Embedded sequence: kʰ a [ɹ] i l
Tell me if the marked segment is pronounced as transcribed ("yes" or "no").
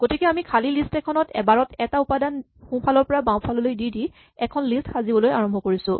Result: no